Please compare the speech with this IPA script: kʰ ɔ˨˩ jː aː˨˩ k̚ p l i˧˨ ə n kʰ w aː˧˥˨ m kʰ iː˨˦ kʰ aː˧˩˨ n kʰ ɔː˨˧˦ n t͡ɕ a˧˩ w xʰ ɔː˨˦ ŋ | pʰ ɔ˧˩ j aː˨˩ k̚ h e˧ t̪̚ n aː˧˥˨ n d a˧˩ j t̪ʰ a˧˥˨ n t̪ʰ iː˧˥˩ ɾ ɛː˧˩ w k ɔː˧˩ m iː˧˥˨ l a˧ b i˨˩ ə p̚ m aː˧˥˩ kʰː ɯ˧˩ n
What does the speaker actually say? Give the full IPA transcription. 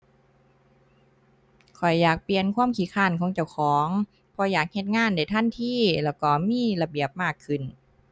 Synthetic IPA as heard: kʰ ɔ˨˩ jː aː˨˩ k̚ p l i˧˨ ə n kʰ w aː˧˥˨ m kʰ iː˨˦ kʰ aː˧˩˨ n kʰ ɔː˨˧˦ ŋ t͡ɕ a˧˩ w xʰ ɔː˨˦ ŋ | pʰ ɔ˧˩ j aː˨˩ k̚ h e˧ t̪̚ ŋ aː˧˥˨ n d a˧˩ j t̪ʰ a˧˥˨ n t̪ʰ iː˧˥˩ l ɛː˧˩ w k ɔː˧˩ m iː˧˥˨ l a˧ b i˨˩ ə p̚ m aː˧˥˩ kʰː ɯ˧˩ n

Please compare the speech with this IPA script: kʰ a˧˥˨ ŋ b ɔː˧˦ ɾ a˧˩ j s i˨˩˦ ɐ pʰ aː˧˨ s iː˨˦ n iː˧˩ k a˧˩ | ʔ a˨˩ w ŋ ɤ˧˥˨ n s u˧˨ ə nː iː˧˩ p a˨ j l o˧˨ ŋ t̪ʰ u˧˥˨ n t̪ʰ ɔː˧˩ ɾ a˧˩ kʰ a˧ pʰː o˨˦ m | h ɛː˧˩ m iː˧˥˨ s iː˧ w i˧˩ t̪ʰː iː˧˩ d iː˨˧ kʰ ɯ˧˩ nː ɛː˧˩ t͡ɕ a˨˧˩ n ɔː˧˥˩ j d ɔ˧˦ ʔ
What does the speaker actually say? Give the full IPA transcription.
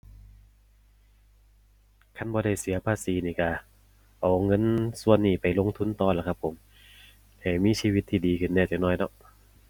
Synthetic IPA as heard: kʰ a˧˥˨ n b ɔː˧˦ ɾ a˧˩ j s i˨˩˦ ɐ pʰ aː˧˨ s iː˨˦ n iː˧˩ k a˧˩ | ʔ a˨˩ w ŋ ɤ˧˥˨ n s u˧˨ ə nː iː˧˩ p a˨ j l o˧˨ ŋ t̪ʰ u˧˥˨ n t̪ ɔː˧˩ l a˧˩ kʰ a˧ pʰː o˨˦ m | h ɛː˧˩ m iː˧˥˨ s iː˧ w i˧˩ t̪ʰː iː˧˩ d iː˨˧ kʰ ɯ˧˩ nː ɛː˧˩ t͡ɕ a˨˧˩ n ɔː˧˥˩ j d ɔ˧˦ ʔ

